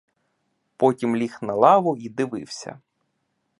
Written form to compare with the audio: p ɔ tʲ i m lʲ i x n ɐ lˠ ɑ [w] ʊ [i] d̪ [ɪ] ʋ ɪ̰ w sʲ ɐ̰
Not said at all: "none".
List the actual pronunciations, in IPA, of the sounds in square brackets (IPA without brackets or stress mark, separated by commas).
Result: ʋ, i, ɪ